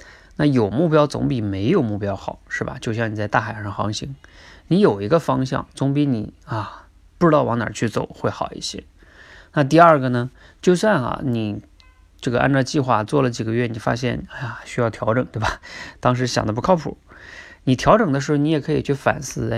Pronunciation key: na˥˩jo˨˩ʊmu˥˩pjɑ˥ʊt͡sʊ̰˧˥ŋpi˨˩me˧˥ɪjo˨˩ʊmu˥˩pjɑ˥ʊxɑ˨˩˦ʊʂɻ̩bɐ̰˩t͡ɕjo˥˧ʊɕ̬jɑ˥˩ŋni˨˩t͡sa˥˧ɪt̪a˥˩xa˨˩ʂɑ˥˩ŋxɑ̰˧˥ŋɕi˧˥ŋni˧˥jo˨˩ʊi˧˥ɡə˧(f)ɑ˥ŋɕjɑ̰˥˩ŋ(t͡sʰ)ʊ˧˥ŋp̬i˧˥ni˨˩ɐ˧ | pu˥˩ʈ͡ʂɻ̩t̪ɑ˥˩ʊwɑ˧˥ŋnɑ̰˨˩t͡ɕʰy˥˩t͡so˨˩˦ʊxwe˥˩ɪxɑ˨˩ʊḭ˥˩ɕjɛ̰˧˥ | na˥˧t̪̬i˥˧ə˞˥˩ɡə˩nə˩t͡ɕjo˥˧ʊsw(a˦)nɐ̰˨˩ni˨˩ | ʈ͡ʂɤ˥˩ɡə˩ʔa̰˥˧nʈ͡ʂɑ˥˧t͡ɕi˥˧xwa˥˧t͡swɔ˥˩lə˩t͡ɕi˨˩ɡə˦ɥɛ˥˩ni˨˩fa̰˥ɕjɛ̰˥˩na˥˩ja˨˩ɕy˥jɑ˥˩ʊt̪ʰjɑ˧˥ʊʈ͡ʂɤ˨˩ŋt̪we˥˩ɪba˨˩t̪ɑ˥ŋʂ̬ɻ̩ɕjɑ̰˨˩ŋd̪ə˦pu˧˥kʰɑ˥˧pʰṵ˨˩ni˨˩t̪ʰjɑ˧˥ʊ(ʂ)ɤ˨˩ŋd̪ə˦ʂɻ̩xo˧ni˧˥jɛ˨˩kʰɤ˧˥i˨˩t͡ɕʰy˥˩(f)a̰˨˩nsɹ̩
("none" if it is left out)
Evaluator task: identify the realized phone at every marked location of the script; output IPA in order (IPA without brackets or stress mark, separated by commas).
f, t͡s, a˥˧˩, ʈ͡ʂ, f